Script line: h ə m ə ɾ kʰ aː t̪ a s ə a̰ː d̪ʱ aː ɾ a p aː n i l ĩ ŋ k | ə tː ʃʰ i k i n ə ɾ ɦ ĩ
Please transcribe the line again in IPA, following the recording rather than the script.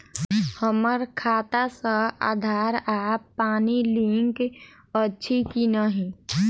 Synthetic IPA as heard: h ə m ə ɾ kʰ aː t̪ a s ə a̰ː d̪ʱ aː ɾ a p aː n i l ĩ ŋ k | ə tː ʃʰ i k i n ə ɦ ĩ